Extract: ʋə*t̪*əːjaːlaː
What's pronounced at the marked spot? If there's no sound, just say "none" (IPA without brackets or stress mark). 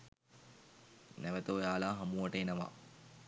t̪